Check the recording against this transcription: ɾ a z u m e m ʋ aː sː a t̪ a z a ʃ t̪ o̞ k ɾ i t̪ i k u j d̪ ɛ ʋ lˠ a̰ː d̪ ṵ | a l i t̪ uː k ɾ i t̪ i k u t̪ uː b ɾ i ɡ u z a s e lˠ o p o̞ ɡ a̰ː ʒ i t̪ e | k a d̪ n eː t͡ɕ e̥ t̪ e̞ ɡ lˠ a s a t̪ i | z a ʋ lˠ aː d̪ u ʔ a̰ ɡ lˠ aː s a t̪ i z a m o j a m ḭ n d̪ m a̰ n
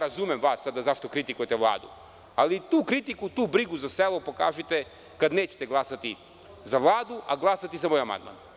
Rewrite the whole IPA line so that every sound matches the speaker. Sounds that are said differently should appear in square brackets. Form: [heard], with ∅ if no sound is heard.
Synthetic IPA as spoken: ɾ a z u m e m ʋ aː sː a [d̪] a z a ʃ t̪ o̞ k ɾ i t̪ i k u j [t̪] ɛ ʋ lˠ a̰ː d̪ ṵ | a l i t̪ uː k ɾ i t̪ i k u t̪ uː b ɾ i ɡ u z a s e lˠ o p o̞ [k] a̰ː ʒ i t̪ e | k a d̪ n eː t͡ɕ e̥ t̪ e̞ ɡ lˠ a s a t̪ i | z a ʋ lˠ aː d̪ u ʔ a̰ ɡ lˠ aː s a t̪ i z a m o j a m [a̰] n d̪ m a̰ n